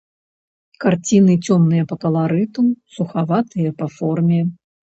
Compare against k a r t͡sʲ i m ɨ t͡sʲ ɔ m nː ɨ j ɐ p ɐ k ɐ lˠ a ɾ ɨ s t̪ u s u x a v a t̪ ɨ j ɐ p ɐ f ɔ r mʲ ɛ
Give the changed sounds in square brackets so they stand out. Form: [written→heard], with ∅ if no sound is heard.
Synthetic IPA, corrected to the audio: k a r t͡sʲ i [m→n] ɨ t͡sʲ ɔ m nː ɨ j ɐ p ɐ k ɐ lˠ a ɾ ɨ [s→∅] t̪ u s u x a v a t̪ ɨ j ɐ p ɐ f ɔ r mʲ ɛ